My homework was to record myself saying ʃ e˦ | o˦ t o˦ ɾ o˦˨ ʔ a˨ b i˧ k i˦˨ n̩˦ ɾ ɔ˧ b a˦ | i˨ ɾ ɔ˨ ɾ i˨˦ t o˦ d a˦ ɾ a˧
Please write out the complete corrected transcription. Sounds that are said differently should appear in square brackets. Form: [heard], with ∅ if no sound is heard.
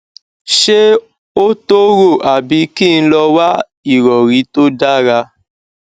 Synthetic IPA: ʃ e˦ | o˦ t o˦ ɾ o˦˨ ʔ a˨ b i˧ k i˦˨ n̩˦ [l] ɔ˧ [w] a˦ | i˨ ɾ ɔ˨ ɾ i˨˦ t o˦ d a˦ ɾ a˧